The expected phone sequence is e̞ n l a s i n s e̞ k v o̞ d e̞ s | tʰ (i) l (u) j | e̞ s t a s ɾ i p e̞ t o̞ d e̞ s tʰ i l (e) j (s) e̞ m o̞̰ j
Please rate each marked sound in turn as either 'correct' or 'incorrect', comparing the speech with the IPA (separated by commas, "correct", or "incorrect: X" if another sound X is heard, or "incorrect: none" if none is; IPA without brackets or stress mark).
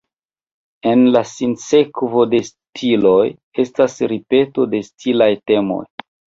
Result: correct, incorrect: o, incorrect: a, incorrect: t